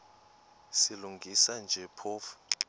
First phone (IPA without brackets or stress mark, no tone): s